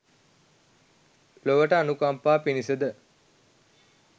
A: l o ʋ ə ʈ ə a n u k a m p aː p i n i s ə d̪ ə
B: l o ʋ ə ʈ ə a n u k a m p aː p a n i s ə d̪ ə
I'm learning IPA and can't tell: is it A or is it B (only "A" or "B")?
A